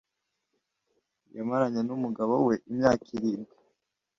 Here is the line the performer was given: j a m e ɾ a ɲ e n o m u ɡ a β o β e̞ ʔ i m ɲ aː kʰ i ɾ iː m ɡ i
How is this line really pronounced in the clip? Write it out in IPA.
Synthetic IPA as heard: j a m a ɾ a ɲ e n u m u ɡ a β o w e̞ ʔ i m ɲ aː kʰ i ɾ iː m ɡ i